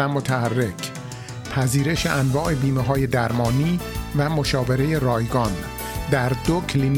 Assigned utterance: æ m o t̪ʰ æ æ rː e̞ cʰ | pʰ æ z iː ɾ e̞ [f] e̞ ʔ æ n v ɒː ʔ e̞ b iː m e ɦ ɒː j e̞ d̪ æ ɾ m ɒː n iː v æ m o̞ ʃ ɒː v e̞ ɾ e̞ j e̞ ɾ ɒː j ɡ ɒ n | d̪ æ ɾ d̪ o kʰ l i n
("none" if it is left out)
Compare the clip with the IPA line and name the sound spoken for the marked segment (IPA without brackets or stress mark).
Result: ʃ